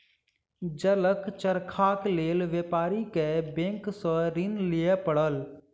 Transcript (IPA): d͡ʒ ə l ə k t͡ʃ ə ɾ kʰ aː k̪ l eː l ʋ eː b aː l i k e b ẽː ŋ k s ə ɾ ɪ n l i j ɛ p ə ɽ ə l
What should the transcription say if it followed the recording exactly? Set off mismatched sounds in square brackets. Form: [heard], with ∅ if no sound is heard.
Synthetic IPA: d͡ʒ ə l ə k t͡ʃ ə ɾ kʰ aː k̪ l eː l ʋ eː [p] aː [ɾ] i k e b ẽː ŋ k s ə ɾ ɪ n l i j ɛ p ə ɽ ə l

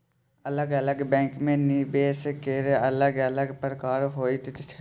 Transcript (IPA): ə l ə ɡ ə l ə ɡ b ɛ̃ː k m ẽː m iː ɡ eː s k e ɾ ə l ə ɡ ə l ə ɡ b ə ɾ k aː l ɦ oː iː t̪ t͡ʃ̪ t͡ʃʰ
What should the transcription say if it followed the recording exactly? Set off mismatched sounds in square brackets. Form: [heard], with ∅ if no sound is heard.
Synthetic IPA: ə l ə ɡ ə l ə ɡ b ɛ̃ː k m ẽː [n] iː [b] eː s k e ɾ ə l ə ɡ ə l ə ɡ [p] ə ɾ k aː [ɾ] ɦ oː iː t̪ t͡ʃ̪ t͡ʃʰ

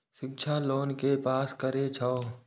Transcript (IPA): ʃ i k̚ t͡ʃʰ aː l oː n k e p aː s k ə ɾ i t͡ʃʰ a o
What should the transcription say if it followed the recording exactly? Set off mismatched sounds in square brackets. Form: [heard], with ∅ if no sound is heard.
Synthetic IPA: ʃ [ɪ] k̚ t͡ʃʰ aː l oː n k e p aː s k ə ɾ [e] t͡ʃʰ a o

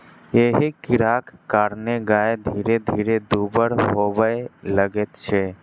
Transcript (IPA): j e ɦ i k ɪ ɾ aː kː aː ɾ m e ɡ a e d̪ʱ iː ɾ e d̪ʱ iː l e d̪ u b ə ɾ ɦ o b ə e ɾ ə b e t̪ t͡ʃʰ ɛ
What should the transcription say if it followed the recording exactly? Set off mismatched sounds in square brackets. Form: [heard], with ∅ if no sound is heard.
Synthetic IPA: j e ɦ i k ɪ ɾ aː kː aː ɾ [n] e ɡ a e d̪ʱ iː ɾ e d̪ʱ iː [ɾ] e d̪ u b ə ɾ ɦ o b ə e [l] ə [ɡ] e t̪ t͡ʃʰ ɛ

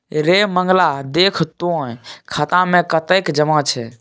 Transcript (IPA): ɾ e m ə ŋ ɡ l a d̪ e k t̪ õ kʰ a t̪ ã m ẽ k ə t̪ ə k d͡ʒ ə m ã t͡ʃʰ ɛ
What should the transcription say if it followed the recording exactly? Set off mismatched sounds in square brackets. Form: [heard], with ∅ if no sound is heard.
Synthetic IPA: ɾ e m ə ŋ ɡ l a d̪ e [kʰ] t̪ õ kʰ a t̪ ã m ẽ k ə t̪ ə k d͡ʒ ə m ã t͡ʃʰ ɛ

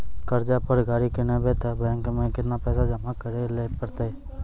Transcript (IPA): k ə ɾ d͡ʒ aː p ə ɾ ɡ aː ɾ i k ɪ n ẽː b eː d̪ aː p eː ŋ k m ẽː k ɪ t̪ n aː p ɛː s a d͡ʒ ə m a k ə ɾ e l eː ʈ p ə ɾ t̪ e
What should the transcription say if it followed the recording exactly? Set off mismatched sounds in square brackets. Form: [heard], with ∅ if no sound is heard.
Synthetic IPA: k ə ɾ d͡ʒ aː p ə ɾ ɡ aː ɾ i k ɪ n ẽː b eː [t̪] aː [b] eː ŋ k m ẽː k ɪ t̪ n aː p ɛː s a d͡ʒ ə m a k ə ɾ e l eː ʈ p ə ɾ t̪ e

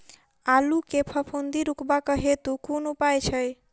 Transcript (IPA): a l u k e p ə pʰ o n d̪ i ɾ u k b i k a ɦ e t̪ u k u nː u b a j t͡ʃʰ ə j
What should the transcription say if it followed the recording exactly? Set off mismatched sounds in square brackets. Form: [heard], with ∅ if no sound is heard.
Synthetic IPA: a l u k e [pʰ] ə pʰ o n d̪ i ɾ u k b [a] k [ə] ɦ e t̪ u k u [n] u [p] a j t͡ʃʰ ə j

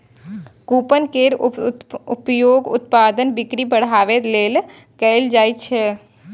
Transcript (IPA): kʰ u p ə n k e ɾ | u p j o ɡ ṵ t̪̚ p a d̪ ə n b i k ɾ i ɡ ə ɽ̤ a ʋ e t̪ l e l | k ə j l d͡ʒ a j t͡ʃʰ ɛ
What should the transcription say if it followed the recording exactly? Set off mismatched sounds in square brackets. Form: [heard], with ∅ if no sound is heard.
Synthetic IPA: [k] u p ə n k e ɾ | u p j o ɡ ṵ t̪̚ p a d̪ ə n b i k ɾ i [b] ə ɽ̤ a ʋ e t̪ l e l | k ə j l d͡ʒ a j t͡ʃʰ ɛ

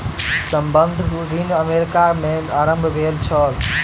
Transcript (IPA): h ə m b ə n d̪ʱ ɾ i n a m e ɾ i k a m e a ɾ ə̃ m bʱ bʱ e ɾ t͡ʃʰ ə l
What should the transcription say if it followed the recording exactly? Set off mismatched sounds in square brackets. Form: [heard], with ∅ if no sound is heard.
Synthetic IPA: [s] ə m b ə n d̪ʱ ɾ i n [ə] m e ɾ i k a m e a ɾ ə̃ m bʱ bʱ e [l] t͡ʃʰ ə l

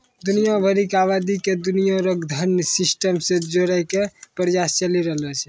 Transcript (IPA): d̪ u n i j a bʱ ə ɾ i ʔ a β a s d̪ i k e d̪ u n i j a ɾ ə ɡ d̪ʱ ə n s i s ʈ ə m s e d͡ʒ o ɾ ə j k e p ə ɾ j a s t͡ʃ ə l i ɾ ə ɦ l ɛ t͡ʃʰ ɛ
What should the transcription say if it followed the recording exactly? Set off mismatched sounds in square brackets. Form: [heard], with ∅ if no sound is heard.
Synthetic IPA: d̪ u n i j a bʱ ə ɾ i [k] a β a [∅] d̪ i k e d̪ u n i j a ɾ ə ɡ d̪ʱ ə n s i s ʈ ə m s e d͡ʒ o ɾ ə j k e p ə ɾ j a s t͡ʃ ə l i ɾ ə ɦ l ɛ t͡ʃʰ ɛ

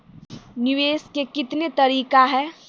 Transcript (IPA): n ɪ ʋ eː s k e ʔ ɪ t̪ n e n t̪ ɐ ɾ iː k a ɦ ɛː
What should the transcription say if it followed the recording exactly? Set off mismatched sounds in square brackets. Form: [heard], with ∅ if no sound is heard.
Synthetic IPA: n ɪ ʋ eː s k e [k] ɪ t̪ n e [∅] t̪ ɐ ɾ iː k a ɦ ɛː

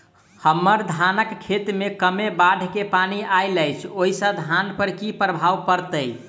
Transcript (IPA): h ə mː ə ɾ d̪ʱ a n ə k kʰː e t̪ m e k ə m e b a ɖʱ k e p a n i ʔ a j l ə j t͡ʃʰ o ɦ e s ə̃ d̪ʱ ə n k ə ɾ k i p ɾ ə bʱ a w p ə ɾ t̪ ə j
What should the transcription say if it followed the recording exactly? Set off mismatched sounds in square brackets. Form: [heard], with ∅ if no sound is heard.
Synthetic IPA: h ə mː ə ɾ d̪ʱ a n ə k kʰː e t̪ m e k ə m e b a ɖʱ k e p a n i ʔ a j l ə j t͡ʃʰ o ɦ [i] s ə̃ d̪ʱ [a] n [p] ə ɾ k i p ɾ ə bʱ a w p ə ɾ t̪ ə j

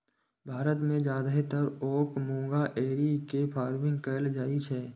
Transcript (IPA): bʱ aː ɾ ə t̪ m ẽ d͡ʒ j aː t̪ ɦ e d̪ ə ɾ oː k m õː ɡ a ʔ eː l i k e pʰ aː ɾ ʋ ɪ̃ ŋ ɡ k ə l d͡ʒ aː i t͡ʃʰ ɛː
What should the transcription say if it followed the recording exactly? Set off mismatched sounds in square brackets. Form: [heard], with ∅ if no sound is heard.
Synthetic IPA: bʱ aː ɾ ə t̪ m ẽ d͡ʒ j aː [d̪] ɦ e [t̪] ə ɾ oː k m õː ɡ a ʔ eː [ɾ] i k e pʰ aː ɾ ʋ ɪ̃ ŋ ɡ k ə l d͡ʒ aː i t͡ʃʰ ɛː

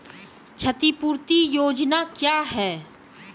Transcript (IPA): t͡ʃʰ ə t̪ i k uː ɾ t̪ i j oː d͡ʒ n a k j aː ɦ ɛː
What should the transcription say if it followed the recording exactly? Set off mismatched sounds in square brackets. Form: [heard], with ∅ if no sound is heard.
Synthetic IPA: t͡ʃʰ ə t̪ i [p] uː ɾ t̪ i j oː d͡ʒ n a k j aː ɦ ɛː

